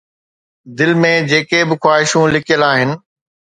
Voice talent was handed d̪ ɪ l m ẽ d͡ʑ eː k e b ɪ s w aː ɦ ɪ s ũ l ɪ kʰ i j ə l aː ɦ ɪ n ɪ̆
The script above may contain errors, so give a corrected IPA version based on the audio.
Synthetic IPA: d̪ ɪ l m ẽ d͡ʑ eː k e b ɪ x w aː ɦ ɪ ʃ ũ l ɪ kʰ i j ə l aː ɦ ɪ n ɪ̆

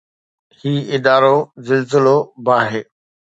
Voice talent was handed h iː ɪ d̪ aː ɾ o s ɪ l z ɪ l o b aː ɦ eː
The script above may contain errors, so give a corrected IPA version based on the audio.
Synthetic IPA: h iː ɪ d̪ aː ɾ o z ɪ l z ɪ l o b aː ɦ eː

